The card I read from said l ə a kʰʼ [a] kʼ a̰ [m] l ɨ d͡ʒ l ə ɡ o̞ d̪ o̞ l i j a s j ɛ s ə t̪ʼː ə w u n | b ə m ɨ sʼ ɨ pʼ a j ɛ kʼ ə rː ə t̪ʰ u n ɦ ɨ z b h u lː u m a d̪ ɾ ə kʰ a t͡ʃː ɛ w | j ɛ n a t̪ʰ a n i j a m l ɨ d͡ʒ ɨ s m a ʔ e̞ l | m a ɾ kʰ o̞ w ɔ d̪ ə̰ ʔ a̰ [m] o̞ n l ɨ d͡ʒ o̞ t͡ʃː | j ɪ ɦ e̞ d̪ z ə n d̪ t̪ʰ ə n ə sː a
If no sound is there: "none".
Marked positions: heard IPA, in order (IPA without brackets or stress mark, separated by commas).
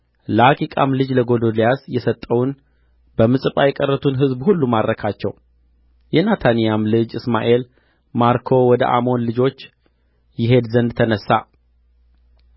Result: i, m, m